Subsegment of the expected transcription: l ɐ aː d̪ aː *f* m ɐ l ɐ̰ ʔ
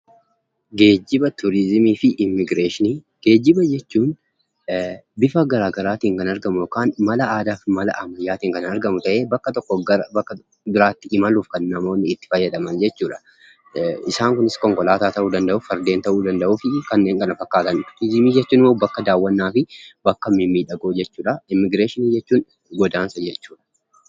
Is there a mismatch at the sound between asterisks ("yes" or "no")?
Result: no